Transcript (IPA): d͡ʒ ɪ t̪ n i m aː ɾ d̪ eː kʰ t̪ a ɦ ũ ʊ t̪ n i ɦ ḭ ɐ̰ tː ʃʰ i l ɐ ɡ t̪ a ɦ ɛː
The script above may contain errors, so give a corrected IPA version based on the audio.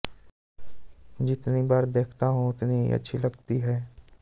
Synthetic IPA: d͡ʒ ɪ t̪ n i b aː ɾ d̪ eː kʰ t̪ a ɦ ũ ʊ t̪ n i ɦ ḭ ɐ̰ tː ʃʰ i l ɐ ɡ t̪ i ɦ ɛː